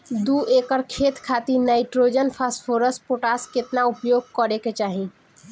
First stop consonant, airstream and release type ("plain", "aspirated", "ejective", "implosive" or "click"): plain